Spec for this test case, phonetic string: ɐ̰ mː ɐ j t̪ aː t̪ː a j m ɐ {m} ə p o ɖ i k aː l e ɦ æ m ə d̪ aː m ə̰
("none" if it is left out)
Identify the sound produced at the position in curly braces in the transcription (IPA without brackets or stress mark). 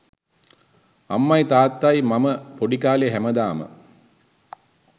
m